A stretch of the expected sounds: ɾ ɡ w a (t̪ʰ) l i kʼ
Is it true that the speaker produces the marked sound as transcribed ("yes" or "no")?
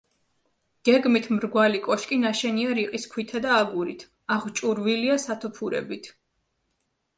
no